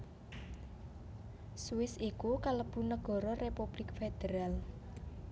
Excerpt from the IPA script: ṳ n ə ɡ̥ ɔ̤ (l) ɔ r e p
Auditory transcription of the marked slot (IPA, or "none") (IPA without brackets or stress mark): ɾ